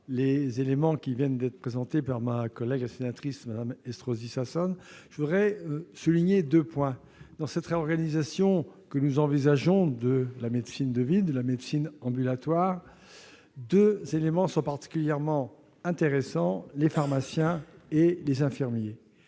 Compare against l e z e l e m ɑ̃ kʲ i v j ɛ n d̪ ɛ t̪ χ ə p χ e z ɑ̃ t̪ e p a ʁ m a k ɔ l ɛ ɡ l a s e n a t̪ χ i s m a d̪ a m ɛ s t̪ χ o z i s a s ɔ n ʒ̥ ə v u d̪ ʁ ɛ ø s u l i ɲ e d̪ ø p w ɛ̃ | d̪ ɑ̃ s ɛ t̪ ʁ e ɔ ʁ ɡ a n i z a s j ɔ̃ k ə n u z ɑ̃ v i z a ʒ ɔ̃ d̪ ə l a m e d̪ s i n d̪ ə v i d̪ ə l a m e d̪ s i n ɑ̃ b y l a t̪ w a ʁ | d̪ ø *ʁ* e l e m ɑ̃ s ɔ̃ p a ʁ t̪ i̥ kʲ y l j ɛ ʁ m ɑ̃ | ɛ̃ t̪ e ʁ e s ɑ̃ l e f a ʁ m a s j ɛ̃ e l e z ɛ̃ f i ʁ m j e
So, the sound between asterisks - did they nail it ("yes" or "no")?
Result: no